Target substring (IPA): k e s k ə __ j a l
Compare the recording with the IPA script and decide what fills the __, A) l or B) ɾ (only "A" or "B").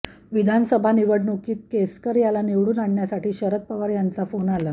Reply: B